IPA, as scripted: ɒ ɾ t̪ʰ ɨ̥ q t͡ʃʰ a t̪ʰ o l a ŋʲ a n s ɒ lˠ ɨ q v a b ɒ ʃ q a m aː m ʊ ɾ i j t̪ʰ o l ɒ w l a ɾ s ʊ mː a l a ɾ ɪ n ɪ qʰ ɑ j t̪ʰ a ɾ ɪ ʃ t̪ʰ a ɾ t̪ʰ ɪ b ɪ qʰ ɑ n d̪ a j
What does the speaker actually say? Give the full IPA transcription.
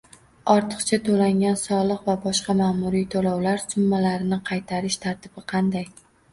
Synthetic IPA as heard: ɒ ɾ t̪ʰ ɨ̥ q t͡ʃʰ a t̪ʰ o l a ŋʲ a n s ɒ lˠ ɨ q v a b ɒ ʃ q ɑ m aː m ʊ ɾ i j t̪ʰ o l ɒ w l a ɾ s ʊ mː a l a ɾ ɪ n ɪ qʰ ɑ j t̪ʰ a ɾ ɪ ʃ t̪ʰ a ɾ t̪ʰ ɪ b ɪ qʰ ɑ n d̪ a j